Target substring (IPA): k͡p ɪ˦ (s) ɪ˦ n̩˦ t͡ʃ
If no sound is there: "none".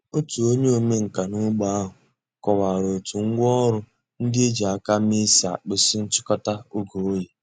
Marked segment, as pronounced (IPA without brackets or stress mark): s